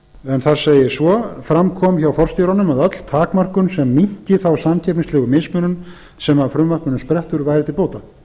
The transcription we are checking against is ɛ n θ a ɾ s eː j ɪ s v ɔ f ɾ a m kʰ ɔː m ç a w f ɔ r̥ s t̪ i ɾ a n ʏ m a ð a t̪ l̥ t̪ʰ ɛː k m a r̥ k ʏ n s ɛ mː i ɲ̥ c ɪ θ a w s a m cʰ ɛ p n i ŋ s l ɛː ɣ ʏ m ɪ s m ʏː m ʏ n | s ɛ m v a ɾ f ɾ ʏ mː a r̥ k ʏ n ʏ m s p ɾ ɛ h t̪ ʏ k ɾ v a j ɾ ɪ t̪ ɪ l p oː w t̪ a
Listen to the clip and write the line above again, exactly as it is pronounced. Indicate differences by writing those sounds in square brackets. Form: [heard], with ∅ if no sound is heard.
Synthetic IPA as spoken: ɛ n θ a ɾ s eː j ɪ s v ɔ f ɾ a m kʰ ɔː m ç a w f ɔ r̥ s t̪ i ɾ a n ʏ m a ð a t̪ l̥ t̪ʰ [aː] k m a r̥ k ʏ n s ɛ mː i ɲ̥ c ɪ θ a w s a m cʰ ɛ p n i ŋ s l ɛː ɣ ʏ m ɪ s m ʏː [n] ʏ n | s ɛ m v a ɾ f ɾ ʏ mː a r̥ k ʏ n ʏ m s p ɾ ɛ h t̪ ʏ [∅] ɾ v a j ɾ ɪ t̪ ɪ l p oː w t̪ a